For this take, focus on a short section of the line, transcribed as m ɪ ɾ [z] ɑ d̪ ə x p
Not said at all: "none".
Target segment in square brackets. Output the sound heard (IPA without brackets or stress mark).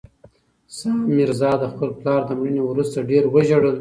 z